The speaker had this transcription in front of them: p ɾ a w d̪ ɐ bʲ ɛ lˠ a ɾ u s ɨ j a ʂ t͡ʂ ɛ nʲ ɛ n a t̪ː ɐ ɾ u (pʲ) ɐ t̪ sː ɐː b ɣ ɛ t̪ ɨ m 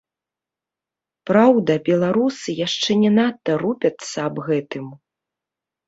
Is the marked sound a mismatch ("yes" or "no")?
no